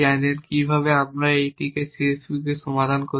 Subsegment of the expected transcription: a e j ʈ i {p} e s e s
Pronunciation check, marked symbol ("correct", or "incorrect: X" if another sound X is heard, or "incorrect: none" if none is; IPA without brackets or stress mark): incorrect: k